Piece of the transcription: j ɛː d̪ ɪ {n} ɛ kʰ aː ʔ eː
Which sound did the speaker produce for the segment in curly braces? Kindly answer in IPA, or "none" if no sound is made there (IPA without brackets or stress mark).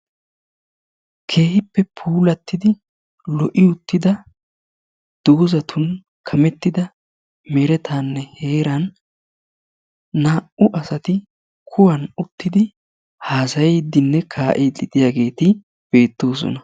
nː